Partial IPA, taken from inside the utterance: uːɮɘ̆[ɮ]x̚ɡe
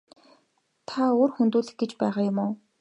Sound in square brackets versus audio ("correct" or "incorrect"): incorrect